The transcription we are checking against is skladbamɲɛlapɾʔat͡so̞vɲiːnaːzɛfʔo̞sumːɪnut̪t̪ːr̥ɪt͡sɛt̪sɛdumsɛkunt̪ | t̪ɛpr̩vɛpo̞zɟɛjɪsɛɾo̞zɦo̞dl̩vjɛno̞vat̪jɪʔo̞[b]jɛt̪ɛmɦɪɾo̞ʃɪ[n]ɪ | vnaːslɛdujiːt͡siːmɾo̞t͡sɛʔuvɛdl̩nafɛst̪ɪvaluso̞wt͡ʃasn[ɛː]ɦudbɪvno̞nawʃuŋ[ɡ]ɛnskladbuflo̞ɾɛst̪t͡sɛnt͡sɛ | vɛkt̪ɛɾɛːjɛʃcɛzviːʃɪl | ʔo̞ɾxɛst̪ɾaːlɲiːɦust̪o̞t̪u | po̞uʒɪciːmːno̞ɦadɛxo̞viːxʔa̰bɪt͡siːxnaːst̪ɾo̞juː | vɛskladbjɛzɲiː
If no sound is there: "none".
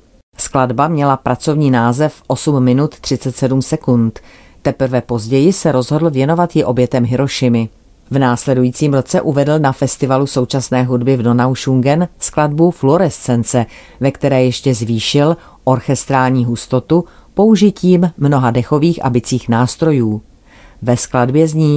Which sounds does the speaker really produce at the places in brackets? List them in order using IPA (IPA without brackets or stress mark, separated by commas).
b, m, ɛː, ɡ